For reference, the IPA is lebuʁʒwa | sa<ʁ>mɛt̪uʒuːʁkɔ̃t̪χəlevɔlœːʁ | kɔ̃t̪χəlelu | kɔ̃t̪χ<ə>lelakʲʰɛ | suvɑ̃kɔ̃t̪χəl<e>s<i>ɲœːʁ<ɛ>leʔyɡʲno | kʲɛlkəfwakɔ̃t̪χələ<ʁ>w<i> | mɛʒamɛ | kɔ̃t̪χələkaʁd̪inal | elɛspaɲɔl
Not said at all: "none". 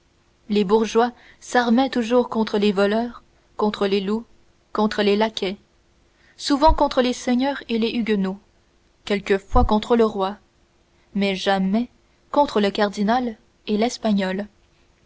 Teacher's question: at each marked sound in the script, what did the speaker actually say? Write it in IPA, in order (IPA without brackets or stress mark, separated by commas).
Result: ʁ, ə, e, ɛ, e, ʁ, a